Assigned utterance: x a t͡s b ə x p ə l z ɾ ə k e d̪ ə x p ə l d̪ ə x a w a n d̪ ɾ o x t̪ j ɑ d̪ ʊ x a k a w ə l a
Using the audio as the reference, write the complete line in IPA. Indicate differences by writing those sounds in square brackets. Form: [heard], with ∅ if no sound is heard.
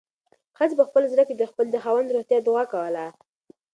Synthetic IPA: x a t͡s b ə x p ə l z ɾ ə k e d̪ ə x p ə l d̪ ə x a w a n d̪ ɾ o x t̪ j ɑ d̪ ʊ [ɣ] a k a w ə l a